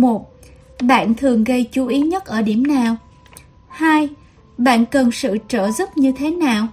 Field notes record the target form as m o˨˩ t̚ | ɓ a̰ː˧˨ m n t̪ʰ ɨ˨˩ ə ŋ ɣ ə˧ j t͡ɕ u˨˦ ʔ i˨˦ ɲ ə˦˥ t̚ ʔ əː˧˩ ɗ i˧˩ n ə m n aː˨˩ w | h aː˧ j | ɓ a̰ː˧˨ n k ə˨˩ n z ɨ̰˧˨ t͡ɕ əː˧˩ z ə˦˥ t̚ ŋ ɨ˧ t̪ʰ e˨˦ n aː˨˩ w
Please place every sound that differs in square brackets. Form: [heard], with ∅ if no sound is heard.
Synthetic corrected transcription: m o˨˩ t̚ | ɓ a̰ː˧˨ [∅] n t̪ʰ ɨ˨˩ ə ŋ ɣ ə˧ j t͡ɕ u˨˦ ʔ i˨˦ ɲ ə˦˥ t̚ ʔ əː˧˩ ɗ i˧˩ [∅] ə m n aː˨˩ w | h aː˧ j | ɓ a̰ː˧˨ n k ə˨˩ n [s] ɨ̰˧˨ t͡ɕ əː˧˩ z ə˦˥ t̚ [ɲ] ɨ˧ t̪ʰ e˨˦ n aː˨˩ w